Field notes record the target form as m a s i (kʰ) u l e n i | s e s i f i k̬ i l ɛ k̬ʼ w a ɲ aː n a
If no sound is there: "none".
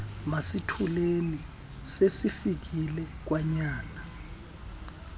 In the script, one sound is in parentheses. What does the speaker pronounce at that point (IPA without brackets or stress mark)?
tʰ